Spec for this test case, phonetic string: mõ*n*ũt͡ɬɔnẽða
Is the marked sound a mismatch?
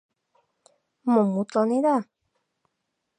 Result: yes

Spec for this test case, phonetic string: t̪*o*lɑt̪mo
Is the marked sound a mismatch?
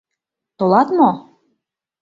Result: no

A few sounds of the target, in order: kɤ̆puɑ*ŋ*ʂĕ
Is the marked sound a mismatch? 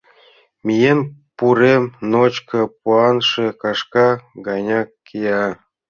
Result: yes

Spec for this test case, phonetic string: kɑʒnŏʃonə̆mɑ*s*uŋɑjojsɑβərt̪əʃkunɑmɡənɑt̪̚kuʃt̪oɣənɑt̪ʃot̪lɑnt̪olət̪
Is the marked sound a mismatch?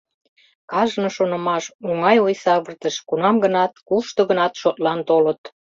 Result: yes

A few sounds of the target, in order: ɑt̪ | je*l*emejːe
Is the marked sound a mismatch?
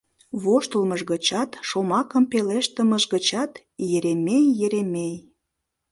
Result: yes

